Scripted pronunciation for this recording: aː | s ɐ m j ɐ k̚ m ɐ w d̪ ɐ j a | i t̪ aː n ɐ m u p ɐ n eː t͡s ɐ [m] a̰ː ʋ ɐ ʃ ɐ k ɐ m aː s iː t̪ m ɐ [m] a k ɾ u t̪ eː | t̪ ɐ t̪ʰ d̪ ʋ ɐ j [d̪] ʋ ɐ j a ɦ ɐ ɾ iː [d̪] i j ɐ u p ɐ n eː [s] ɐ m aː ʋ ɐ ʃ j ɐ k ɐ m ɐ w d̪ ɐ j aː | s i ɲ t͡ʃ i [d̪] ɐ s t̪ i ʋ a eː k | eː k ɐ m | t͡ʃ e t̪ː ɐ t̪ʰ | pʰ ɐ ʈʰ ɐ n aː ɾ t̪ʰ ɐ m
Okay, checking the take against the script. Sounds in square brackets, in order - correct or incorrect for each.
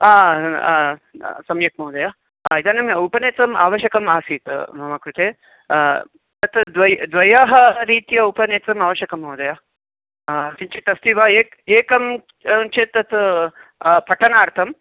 correct, correct, correct, incorrect: t̪, incorrect: t͡s, incorrect: t̪

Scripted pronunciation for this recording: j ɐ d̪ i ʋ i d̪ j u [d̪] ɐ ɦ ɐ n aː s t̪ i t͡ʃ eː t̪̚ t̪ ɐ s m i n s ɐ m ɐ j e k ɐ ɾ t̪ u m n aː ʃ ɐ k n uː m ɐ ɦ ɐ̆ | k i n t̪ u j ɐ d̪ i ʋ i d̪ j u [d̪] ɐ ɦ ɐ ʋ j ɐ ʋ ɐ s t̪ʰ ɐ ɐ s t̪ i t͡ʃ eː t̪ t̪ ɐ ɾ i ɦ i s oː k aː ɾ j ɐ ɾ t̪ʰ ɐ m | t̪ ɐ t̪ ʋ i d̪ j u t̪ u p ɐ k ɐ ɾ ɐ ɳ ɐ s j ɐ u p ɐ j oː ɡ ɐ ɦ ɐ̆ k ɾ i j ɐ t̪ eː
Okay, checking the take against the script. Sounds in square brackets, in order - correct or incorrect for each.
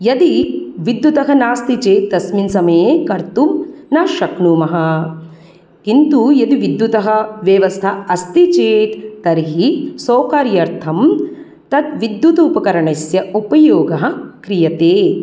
incorrect: t̪, incorrect: t̪

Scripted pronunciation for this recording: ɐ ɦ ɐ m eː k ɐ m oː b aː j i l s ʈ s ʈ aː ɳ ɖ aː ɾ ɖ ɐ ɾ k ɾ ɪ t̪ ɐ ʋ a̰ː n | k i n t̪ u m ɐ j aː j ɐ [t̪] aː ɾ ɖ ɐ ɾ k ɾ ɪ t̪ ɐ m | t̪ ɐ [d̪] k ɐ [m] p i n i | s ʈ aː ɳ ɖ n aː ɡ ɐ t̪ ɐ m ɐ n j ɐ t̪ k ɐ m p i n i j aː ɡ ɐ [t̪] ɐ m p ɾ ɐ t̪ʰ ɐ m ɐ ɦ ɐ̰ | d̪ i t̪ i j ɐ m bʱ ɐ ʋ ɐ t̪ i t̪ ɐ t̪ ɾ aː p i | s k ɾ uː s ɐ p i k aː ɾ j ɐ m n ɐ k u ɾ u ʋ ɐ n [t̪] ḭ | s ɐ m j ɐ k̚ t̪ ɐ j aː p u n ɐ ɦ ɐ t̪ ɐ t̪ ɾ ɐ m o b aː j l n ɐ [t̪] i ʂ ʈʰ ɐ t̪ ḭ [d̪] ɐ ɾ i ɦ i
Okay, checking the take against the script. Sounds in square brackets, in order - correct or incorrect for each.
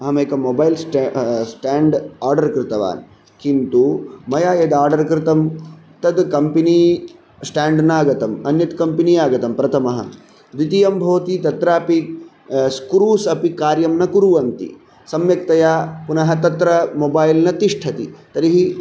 incorrect: d̪, correct, correct, correct, correct, correct, incorrect: t̪

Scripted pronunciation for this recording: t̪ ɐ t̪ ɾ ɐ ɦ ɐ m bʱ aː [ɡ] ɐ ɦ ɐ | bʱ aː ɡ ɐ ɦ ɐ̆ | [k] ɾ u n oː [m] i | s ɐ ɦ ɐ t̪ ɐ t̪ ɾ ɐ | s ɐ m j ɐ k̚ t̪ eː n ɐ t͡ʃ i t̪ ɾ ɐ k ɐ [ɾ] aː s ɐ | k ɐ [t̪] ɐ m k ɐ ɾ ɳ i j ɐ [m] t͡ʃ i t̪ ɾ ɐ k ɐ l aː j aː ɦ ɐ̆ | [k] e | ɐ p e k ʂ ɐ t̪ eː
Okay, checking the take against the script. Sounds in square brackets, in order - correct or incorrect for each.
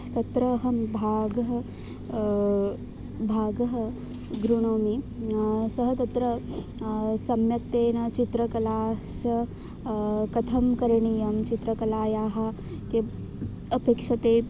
correct, incorrect: ɡ, correct, incorrect: l, incorrect: t̪ʰ, correct, correct

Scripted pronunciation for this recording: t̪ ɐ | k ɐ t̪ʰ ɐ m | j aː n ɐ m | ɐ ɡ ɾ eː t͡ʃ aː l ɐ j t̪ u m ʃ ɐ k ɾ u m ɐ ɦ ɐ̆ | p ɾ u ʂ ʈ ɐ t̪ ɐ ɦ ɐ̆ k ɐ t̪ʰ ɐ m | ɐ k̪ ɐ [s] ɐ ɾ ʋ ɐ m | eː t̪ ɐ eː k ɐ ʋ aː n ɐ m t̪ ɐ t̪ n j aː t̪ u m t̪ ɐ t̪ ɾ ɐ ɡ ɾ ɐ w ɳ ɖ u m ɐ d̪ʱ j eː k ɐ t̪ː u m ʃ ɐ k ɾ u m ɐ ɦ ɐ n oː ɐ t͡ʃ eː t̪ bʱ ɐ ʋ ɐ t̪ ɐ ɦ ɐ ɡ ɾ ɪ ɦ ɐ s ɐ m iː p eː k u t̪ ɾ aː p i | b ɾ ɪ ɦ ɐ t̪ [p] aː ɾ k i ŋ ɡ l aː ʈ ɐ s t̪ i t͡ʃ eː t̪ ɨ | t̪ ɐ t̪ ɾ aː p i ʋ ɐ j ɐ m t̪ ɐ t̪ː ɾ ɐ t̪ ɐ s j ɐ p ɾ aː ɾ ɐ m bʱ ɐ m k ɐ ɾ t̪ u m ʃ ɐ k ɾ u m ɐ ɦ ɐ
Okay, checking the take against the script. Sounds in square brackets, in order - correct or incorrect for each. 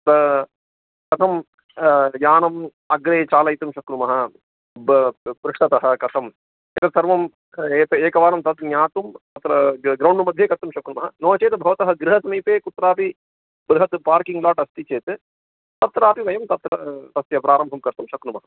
correct, correct

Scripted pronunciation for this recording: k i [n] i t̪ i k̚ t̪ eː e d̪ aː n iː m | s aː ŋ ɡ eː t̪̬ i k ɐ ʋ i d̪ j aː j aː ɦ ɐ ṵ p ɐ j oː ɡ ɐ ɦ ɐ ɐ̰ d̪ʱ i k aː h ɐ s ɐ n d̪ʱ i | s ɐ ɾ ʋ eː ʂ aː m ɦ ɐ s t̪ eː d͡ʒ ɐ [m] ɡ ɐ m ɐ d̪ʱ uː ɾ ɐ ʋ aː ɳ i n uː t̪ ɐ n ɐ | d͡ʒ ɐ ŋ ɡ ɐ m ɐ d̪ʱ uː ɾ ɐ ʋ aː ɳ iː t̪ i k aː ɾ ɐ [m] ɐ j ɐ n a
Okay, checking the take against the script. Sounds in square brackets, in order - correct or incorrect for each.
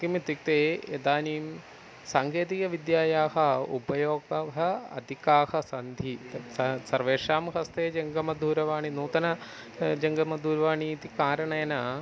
incorrect: m, incorrect: ŋ, incorrect: ɳ

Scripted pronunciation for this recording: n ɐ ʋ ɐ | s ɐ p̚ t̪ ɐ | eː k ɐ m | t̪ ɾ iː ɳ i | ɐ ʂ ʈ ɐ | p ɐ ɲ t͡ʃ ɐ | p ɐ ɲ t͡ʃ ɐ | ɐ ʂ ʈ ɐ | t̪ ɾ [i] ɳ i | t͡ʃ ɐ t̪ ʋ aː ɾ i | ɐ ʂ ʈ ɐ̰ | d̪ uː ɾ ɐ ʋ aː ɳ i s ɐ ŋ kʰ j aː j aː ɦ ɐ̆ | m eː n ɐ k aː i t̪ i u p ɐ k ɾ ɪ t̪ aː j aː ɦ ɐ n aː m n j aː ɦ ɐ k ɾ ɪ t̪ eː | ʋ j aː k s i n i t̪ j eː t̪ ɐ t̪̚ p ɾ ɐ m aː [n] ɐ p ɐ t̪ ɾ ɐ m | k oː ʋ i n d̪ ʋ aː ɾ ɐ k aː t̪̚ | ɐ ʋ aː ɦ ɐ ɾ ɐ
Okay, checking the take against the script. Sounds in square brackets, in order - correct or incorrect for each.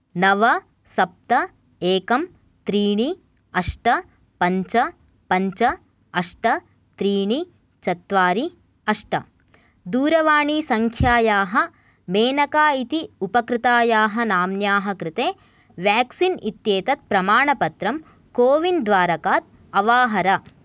incorrect: iː, incorrect: ɳ

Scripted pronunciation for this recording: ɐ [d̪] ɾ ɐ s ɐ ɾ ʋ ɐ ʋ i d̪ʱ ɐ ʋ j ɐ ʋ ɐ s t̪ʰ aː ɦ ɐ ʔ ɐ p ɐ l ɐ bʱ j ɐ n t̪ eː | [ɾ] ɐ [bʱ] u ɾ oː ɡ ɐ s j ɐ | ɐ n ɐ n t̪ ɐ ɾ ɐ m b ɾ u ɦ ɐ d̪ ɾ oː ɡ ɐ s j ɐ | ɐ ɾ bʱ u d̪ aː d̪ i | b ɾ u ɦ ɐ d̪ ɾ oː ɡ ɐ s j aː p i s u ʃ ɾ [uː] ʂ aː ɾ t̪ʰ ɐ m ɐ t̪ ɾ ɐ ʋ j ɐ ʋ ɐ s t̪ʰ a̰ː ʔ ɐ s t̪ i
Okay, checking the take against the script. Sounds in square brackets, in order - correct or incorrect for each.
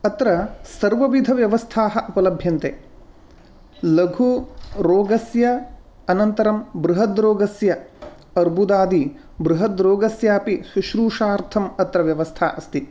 incorrect: t̪, incorrect: l, incorrect: ɡʱ, correct

